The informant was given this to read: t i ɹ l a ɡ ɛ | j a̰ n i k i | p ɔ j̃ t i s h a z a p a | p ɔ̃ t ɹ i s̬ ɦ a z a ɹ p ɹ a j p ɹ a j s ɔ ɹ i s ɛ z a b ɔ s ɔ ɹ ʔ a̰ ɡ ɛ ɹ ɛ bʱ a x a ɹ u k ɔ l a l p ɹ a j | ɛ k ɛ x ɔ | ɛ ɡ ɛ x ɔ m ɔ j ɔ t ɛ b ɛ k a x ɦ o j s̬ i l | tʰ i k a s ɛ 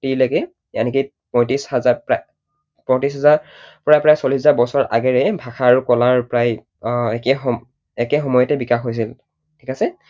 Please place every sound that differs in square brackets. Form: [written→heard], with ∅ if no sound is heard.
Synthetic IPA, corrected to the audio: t i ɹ l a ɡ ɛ | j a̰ n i k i | p ɔ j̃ t i s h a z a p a | p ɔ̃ t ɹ i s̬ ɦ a z a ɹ p ɹ a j p ɹ a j s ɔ [ɹ→l] i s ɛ z a b ɔ s ɔ ɹ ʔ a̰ ɡ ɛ ɹ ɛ bʱ a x a ɹ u k ɔ l a [l→ɹ] p ɹ a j | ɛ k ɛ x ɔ | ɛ [ɡ→k] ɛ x ɔ m ɔ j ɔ t ɛ b [ɛ→i] k a x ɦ o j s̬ i l | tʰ i k a s ɛ

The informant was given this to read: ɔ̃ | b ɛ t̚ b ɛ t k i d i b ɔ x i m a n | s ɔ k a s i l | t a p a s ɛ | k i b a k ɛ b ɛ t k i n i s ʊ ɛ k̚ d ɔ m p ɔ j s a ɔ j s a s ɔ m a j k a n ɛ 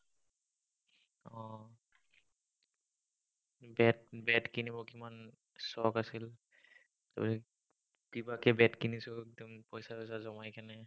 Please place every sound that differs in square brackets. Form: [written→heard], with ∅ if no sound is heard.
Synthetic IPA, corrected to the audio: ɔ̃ | b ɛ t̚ b ɛ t k i [d→n] i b ɔ [x→k] i m a n | s ɔ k a s i l | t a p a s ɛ | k i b a k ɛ b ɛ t k i n i s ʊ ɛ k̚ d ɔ m p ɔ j s a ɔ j s a [s→z] ɔ m a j k a n ɛ

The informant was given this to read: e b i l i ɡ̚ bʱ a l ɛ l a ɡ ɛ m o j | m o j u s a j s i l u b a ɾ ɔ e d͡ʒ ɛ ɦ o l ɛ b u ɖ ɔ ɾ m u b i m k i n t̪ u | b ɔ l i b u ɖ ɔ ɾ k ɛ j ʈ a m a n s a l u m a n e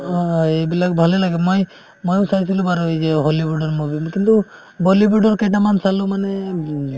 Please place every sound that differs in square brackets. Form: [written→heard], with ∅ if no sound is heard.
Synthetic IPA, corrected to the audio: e b i l [i→a] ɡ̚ bʱ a l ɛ l a ɡ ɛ m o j | m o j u s a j s i l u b a ɾ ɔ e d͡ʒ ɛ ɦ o l [ɛ→i] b u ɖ ɔ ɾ m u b i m k i n t̪ u | b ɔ l i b u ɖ ɔ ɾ k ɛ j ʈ a m a n s a l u m a n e

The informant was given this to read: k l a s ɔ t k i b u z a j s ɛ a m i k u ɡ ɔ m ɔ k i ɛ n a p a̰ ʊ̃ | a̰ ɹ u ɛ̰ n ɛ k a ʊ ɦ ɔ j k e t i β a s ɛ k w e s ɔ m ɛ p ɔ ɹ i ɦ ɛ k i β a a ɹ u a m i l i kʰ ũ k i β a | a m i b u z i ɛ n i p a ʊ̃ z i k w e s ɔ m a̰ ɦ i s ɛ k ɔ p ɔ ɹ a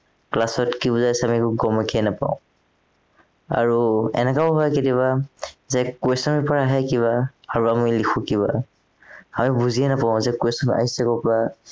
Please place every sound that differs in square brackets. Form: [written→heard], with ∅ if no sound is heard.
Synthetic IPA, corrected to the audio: k l a s ɔ t k i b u z a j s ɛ a m i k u ɡ ɔ m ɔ k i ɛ n a p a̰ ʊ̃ | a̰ ɹ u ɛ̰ n ɛ k a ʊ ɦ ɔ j k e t i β a [s→z] ɛ k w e s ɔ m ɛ p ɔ ɹ [i→a] ɦ ɛ k i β a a ɹ u a m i l i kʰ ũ k i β a | a m i b u z i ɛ n [i→a] p a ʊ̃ z [i→ɛ] k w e s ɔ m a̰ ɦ i s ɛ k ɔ p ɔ ɹ a

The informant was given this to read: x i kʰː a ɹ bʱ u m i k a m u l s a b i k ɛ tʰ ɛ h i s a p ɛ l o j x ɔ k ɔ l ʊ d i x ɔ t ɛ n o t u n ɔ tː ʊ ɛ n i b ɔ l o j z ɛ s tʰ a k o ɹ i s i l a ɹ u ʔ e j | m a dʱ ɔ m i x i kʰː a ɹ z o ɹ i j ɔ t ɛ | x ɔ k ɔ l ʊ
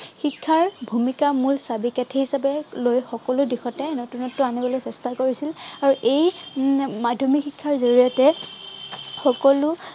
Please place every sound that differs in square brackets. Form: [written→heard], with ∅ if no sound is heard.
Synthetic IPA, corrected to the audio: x i kʰː a ɹ bʱ u m i k a m u l s a b i k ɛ tʰ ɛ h i s a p ɛ l o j x ɔ k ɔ l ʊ d i x ɔ t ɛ n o t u n ɔ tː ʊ [ɛ→a] n i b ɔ l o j [z→s] ɛ s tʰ a k o ɹ i s i l a ɹ u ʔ e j | m a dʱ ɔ m i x i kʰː a ɹ z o ɹ i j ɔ t ɛ | x ɔ k ɔ l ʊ

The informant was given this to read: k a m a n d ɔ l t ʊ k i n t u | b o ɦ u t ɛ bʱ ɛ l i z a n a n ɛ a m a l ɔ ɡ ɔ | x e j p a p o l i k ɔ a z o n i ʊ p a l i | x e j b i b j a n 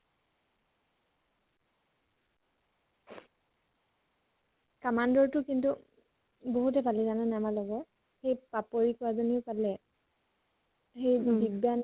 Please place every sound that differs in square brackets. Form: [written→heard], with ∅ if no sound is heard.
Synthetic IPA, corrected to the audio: k a m a n d ɔ [l→ɹ] t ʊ k i n t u | b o ɦ u t ɛ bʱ [ɛ→a] l i z a n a n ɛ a m a l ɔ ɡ ɔ | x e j p a p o [l→ɹ] i k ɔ a z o n i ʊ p a l [i→ɛ] | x e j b i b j a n

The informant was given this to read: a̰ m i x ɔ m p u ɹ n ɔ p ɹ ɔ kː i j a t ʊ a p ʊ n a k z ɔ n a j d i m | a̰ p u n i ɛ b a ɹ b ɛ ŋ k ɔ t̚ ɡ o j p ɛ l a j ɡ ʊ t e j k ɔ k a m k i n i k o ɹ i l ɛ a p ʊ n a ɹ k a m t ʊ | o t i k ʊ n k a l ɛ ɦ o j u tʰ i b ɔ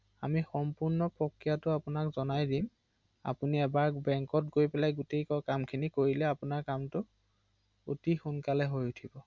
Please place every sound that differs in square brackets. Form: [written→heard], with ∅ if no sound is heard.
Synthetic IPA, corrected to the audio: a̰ m i x ɔ m p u ɹ n ɔ p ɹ ɔ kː i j a t ʊ a p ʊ n a k z ɔ n a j d i m | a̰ p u n i ɛ b a ɹ b ɛ ŋ k ɔ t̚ ɡ o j p ɛ l a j ɡ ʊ t e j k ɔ k a m [k→kʰ] i n i k o ɹ i l ɛ a p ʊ n a ɹ k a m t ʊ | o t i [k→x] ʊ n k a l ɛ ɦ o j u tʰ i b ɔ

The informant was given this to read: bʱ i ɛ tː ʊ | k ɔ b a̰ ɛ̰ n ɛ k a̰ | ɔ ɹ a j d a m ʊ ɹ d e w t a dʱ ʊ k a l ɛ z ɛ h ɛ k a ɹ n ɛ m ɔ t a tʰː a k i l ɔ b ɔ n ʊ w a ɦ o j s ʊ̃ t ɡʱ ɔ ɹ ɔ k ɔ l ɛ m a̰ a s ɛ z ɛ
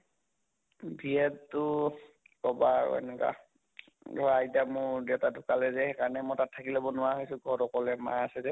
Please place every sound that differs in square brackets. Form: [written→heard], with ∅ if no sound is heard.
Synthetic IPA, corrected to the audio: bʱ i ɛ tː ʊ | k ɔ b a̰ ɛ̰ n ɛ k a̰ | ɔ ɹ a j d a m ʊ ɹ d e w t a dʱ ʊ k a l ɛ z ɛ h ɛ k a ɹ n ɛ m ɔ t a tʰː a k i l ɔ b ɔ n ʊ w a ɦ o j s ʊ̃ [t→∅] ɡʱ ɔ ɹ ɔ k ɔ l ɛ m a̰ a s ɛ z ɛ

